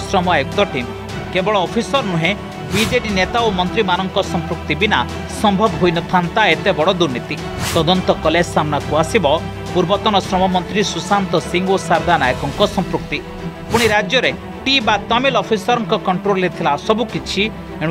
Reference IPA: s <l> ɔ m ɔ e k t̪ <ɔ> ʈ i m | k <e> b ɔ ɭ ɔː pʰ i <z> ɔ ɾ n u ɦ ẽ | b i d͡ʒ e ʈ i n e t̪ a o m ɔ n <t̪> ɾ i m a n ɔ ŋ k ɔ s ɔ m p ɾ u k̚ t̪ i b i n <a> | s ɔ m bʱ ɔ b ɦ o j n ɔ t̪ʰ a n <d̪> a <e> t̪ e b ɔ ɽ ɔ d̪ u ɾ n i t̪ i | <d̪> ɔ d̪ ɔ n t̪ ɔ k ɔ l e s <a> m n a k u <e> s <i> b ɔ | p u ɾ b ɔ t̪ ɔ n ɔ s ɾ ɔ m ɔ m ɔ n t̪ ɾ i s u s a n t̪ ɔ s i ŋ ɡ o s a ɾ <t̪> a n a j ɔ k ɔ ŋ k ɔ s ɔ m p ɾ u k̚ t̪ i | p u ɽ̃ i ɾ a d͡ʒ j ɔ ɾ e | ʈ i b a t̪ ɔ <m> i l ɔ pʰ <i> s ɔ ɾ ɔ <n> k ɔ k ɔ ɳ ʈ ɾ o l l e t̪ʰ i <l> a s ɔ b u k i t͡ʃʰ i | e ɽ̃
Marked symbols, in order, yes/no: no, yes, yes, no, yes, yes, no, yes, no, yes, no, yes, no, yes, yes, no, yes

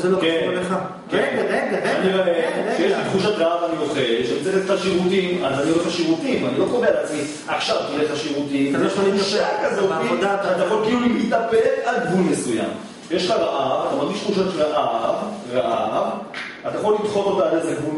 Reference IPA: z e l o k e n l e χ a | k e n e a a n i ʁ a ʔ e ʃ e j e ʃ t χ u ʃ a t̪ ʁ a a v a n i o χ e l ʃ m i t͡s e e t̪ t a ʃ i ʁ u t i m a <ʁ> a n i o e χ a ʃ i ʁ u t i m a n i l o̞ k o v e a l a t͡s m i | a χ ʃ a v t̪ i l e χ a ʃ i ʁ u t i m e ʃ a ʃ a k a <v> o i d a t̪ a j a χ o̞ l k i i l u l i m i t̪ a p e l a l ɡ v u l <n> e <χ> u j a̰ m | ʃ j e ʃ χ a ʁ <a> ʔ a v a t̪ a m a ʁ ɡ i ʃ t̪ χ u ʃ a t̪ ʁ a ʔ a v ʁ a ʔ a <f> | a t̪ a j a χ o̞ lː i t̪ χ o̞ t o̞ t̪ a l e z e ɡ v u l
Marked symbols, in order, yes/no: no, no, no, no, yes, no

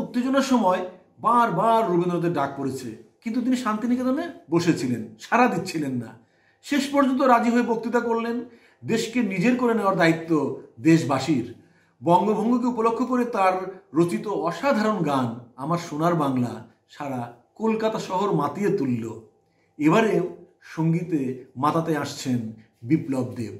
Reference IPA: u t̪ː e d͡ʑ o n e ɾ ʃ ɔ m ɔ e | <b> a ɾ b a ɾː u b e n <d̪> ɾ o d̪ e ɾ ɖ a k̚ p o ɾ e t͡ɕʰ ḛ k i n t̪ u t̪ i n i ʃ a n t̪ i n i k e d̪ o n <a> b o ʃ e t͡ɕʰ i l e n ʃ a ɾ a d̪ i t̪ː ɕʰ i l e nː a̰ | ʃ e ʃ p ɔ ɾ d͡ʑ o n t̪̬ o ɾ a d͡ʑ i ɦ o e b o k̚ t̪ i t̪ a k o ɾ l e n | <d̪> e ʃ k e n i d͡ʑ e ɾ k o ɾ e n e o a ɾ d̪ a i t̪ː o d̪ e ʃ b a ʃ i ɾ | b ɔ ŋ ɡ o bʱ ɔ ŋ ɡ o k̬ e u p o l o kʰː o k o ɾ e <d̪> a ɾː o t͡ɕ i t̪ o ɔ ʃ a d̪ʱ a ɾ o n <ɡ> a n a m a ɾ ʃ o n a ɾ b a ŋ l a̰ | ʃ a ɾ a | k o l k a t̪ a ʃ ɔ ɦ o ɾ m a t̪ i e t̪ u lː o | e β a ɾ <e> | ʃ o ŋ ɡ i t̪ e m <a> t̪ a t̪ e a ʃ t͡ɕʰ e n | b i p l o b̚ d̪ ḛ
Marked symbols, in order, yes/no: yes, yes, no, yes, no, yes, yes, yes

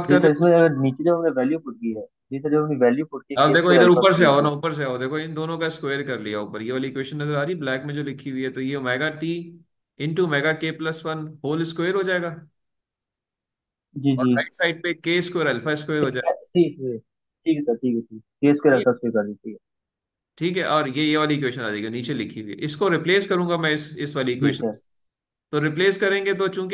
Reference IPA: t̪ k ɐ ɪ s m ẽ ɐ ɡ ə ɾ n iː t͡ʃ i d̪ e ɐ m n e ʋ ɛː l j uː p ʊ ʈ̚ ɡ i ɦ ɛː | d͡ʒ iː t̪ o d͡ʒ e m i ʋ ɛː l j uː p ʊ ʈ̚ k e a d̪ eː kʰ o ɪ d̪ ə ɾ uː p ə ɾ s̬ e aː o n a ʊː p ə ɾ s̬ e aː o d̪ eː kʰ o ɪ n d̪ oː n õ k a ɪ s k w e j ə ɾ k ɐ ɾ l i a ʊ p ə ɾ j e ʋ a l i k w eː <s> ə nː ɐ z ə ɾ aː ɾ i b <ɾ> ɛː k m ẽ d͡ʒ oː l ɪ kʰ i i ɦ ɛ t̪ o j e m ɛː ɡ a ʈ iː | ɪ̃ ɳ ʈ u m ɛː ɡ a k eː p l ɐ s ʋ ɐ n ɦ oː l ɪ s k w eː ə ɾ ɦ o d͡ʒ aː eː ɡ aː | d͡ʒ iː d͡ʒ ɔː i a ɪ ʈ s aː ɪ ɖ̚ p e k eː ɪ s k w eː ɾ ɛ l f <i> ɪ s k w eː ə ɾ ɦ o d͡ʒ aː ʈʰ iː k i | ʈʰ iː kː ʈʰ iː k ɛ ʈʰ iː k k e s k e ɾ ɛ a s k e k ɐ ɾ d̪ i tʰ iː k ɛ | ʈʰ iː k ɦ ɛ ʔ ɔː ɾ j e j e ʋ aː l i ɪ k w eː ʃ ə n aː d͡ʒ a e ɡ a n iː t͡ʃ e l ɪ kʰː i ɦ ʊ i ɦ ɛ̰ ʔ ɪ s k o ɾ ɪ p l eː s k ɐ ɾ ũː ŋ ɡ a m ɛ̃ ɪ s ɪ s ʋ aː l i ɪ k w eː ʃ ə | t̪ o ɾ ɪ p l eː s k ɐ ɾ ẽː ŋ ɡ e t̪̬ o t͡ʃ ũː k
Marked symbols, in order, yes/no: no, no, no

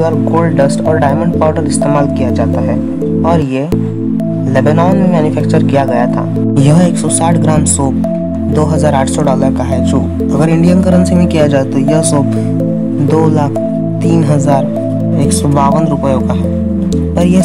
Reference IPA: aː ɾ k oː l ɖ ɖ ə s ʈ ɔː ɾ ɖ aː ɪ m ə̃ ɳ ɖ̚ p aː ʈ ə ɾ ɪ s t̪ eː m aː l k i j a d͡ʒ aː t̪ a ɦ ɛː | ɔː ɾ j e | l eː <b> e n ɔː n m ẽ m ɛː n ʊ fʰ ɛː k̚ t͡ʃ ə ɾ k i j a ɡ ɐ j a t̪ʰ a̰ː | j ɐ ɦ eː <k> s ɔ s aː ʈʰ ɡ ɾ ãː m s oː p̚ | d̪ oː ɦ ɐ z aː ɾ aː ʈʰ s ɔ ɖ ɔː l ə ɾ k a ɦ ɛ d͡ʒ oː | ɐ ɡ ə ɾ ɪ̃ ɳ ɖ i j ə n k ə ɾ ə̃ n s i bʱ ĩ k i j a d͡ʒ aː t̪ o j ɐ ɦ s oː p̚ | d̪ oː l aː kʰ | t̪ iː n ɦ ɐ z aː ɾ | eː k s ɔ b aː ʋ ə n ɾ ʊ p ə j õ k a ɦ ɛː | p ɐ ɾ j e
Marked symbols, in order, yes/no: yes, yes

